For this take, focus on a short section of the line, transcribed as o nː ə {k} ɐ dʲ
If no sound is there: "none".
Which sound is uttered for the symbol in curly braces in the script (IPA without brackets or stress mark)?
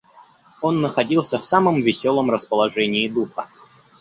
x